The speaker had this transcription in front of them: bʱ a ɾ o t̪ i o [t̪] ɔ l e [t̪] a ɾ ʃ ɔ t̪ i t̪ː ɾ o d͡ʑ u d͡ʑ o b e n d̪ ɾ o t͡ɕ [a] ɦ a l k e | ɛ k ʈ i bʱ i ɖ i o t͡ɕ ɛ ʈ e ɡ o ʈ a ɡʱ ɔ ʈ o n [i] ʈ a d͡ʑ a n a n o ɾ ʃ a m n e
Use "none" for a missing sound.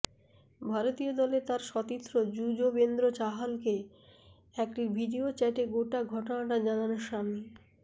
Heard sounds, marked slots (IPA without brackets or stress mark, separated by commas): d̪, t̪, a, a